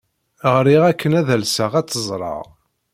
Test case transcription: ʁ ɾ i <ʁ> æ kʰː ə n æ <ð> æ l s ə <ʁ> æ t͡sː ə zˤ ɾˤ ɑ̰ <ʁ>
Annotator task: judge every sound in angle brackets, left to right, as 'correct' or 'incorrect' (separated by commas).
correct, correct, correct, correct